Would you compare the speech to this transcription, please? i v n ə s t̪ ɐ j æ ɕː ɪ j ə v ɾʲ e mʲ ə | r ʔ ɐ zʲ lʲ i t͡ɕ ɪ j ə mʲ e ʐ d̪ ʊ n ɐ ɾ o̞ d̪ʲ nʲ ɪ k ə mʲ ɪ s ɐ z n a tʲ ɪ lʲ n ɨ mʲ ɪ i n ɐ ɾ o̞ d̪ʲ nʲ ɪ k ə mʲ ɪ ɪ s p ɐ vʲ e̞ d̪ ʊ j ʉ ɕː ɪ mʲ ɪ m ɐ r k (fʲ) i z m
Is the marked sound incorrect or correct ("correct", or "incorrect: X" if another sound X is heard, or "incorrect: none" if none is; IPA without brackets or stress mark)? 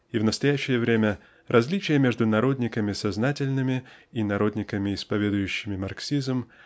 incorrect: sʲ